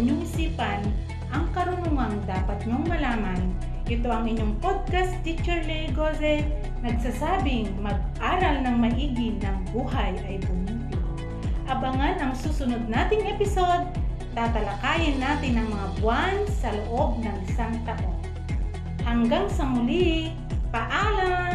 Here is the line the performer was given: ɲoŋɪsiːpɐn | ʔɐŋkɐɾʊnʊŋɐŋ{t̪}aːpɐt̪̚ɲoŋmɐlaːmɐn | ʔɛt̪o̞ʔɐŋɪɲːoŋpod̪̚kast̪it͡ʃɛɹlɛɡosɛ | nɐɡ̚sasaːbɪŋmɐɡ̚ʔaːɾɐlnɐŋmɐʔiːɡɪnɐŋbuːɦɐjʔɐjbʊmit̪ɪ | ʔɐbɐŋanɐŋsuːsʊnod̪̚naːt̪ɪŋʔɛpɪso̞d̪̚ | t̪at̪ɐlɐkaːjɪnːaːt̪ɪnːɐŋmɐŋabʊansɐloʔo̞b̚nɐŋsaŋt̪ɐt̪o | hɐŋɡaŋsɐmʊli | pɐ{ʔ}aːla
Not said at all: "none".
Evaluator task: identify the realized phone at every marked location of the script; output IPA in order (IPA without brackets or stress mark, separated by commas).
d̪, ʔ